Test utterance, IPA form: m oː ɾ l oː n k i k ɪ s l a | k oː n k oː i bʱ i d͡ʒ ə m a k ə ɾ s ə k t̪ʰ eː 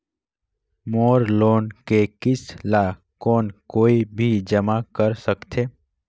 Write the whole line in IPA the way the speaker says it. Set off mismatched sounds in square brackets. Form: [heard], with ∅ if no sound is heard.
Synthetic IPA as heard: m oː ɾ l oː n k [e] k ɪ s l a | k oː n k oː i bʱ i d͡ʒ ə m a k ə ɾ s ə k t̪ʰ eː

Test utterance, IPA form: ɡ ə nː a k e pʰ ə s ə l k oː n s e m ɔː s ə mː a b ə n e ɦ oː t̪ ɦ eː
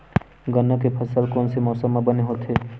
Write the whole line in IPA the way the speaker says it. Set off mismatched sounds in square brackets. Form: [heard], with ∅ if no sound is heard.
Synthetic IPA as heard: ɡ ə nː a k e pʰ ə s ə l k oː n s e m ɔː s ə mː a b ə n e ɦ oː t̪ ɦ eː

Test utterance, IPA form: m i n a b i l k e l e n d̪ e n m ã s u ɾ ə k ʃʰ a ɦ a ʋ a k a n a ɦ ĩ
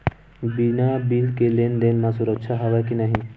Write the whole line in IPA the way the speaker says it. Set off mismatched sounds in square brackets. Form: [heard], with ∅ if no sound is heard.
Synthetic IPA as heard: [b] i n a b i l k e l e n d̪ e n m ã s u ɾ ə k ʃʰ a ɦ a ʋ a k [i] n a ɦ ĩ

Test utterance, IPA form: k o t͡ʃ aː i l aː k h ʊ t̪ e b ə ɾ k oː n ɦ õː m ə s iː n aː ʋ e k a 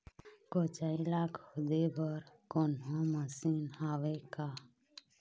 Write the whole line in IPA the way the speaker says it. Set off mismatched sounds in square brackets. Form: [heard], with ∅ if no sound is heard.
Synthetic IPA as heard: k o t͡ʃ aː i l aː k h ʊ [d̪] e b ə ɾ k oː n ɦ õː m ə s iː n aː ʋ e k a

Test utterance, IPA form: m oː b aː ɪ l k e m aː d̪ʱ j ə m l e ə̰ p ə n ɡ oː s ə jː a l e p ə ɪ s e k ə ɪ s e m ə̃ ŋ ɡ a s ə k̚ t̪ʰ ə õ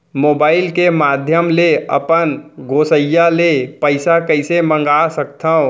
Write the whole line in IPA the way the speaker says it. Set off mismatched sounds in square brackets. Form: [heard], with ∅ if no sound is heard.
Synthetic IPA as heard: m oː b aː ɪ l k e m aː d̪ʱ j ə m l e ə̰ p ə n ɡ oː s ə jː a l e p ə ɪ s [a] k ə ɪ s e m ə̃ ŋ ɡ a s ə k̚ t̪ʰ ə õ

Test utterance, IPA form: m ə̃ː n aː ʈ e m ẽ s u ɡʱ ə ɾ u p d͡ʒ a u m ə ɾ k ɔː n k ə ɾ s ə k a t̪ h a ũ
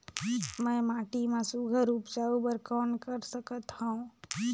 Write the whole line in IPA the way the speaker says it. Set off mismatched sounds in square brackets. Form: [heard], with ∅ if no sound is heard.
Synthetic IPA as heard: m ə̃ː [m] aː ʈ [i] m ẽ s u ɡʱ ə ɾ u p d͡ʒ a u [b] ə ɾ k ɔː n k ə ɾ s ə k [ə] t̪ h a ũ

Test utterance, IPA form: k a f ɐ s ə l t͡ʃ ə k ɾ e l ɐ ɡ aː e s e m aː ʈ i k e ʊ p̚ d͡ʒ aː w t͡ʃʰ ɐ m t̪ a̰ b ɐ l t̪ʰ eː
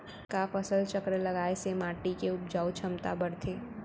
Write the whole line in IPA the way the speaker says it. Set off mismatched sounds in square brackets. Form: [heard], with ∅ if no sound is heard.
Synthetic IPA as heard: k a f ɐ s ə l t͡ʃ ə k ɾ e l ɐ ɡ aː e s e m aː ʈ i k e ʊ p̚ d͡ʒ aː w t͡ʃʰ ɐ m t̪ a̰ b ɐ [ɽ] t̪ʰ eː

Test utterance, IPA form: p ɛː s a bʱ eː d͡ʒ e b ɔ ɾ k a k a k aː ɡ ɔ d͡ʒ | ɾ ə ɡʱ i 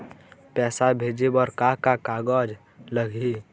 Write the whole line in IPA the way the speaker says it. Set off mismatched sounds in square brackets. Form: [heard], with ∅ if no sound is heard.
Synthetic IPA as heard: p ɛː s a bʱ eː d͡ʒ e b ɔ ɾ k a k a k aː ɡ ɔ d͡ʒ | [l] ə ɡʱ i

